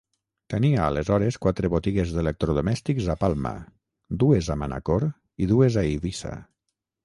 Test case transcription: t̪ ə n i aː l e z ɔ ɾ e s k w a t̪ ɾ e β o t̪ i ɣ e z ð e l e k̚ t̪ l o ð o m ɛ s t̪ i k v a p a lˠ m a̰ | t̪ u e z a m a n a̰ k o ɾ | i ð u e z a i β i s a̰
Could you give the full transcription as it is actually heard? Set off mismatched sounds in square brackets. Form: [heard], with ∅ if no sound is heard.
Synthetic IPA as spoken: t̪ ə n i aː l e z ɔ ɾ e s k w a t̪ ɾ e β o t̪ i ɣ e z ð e l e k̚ t̪ [ɾ] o ð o m ɛ s t̪ i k [z] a p a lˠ m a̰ | [d̪] u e z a m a n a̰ k o ɾ | i ð u e z a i β i s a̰